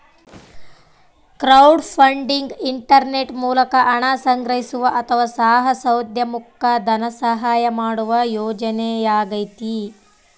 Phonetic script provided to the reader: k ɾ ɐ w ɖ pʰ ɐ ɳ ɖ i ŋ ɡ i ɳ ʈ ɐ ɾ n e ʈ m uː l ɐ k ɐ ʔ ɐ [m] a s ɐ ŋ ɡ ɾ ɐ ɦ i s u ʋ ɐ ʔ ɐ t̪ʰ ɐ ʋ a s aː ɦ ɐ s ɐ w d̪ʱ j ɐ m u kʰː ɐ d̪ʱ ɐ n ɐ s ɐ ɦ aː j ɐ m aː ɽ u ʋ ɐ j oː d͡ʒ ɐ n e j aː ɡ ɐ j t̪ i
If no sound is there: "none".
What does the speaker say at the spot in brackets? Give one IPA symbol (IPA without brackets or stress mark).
ɳ